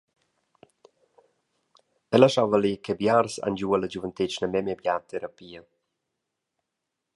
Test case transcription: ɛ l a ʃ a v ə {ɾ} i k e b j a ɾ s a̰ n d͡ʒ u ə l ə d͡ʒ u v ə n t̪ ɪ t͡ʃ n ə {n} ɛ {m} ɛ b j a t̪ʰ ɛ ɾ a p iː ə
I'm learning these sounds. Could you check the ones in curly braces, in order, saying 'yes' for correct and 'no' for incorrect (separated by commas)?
no, no, yes